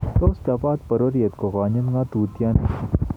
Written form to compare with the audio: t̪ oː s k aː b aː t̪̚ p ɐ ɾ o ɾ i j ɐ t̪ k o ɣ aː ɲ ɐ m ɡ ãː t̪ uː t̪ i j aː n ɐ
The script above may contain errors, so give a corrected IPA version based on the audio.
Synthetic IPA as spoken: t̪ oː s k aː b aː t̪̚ p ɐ ɾ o ɾ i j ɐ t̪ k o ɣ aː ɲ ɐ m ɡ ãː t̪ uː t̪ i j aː n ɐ

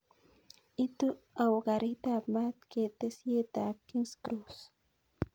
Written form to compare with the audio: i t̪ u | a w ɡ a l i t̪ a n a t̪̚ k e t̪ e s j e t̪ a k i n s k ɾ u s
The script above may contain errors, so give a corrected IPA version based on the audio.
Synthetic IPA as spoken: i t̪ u | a w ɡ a ɾ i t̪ a m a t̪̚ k e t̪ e s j e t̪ a k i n s k ɾ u s

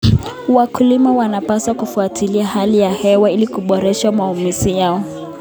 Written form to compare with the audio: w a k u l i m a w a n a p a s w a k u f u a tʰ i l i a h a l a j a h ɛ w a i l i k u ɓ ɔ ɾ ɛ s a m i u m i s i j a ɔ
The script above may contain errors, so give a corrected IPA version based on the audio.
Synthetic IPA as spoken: w a k u l i m a w a n a p a s w a k u f u a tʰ i l i a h a l i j a h ɛ w a i l i k u ɓ ɔ ɾ ɛ ʃ a m a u m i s i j a ɔ

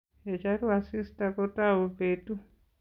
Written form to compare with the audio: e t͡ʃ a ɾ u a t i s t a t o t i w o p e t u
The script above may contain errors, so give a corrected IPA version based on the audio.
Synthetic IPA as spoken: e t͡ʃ a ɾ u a s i s t a k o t a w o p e t u

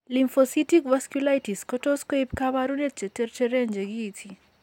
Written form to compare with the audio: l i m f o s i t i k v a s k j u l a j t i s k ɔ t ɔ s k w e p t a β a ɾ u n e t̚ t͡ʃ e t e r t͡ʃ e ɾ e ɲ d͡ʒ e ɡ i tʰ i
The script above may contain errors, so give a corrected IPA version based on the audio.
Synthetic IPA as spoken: l i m f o s i t i k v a s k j u l a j t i s k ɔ t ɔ s k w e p k a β a ɾ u n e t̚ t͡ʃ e t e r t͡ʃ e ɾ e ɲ d͡ʒ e ɡ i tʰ i

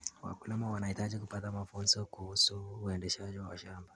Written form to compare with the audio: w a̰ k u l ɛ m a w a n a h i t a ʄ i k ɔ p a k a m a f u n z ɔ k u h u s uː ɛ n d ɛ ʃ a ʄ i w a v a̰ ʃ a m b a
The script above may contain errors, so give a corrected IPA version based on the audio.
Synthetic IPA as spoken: w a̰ k u l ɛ m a w a n a h i t a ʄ i k u p a t a m a f u n z ɔ k u h u s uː ɛ n d ɛ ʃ a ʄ i w a w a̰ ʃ a m b a

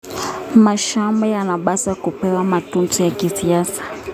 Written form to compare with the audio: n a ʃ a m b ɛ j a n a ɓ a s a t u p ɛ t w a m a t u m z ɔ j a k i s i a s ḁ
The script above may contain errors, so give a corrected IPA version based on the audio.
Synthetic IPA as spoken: m a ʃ a m b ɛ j a n a ɓ a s a k u p ɛ w a m a t u n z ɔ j a k i s i a s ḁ

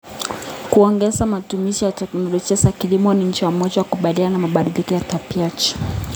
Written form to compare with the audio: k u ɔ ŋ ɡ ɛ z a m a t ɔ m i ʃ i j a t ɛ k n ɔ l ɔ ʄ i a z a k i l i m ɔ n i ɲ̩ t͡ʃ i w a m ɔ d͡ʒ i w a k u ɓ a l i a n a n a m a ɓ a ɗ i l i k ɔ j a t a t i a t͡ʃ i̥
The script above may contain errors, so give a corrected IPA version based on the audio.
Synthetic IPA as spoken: k u ɔ ŋ ɡ ɛ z a m a t u m i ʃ i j a t ɛ k n ɔ l ɔ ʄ i a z a k i l i m ɔ n i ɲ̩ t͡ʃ i w a m ɔ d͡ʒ a w a k u ɓ a l i a n a n a m a ɓ a ɗ i l i k ɔ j a t a p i a t͡ʃ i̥

